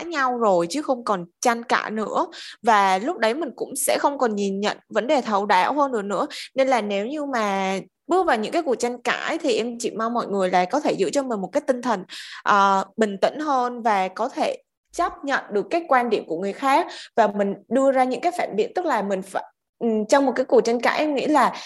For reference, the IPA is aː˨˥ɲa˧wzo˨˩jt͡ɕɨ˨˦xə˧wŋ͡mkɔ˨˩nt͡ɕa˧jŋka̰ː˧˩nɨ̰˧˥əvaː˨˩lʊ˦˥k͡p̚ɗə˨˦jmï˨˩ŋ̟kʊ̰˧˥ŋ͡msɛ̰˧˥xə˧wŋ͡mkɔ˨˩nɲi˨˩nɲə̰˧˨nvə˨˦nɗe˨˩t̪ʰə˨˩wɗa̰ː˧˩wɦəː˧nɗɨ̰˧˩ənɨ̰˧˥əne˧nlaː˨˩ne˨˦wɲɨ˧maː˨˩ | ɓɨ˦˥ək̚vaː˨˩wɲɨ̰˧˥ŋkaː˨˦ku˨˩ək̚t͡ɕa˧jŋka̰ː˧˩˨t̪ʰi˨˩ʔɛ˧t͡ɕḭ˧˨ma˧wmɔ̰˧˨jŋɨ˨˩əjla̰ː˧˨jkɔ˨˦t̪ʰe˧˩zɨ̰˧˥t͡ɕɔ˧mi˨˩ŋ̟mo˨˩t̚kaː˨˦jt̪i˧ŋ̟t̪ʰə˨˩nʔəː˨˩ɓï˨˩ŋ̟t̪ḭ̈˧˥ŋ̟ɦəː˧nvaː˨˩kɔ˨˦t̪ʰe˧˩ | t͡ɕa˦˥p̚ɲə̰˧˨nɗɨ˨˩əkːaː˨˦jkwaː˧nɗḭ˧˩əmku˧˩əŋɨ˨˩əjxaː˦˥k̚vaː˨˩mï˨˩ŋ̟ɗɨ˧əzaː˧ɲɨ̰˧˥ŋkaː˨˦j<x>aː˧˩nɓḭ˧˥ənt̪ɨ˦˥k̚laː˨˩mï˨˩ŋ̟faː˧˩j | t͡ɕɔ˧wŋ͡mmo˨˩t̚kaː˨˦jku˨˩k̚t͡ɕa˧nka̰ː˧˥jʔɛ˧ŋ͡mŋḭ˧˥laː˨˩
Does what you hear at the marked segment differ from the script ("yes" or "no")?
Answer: yes